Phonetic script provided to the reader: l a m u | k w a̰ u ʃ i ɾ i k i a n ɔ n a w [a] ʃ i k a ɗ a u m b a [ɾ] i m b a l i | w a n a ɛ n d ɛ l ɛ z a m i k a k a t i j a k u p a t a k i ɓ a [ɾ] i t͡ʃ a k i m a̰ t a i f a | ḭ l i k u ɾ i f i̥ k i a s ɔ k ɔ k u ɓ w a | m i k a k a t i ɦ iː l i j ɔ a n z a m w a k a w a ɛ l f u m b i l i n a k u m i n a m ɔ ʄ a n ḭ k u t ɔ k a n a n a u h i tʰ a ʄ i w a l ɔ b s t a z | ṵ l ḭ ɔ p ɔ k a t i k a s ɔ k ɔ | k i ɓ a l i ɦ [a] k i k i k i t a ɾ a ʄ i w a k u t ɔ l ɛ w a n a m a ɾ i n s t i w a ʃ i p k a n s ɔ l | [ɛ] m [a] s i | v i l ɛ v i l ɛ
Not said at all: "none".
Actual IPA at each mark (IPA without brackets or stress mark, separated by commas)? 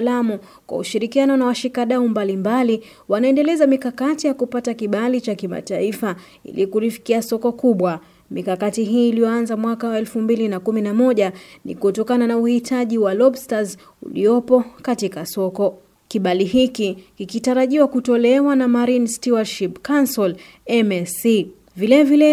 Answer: a, l, l, i, ɛ, ɛ